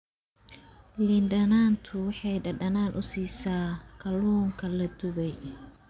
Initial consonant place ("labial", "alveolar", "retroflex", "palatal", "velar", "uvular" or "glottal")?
alveolar